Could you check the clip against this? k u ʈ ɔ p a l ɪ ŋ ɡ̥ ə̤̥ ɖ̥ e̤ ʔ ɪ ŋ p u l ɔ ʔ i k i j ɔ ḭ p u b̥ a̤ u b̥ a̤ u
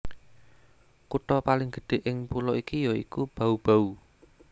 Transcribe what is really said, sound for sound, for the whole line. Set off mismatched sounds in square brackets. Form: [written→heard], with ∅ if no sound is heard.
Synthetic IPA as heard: k u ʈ ɔ p a l ɪ ŋ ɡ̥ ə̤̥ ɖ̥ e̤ ʔ ɪ ŋ p u l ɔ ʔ i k i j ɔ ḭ [p→k] u b̥ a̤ u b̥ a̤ u